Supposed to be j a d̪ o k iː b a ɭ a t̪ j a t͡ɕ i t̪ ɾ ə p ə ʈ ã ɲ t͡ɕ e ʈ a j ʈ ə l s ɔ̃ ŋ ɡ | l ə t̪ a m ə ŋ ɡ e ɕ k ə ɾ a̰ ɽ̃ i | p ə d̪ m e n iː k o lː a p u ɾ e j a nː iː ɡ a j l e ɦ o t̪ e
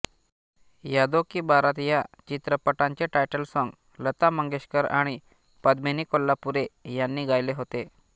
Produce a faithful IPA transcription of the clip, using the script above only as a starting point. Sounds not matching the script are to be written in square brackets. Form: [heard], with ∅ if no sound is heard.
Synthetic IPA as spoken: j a d̪ o k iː b a [ɾ] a t̪ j a t͡ɕ i t̪ ɾ ə p ə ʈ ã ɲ t͡ɕ e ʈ a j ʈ ə l s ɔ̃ ŋ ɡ | l ə t̪ a m ə ŋ ɡ e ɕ k ə ɾ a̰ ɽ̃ i | p ə d̪ m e n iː k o lː a p u ɾ e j a nː iː ɡ a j l e ɦ o t̪ e